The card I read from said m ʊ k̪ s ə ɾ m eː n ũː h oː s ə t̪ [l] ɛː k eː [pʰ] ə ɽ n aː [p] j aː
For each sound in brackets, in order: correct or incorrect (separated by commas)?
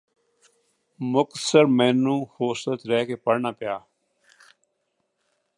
incorrect, incorrect, correct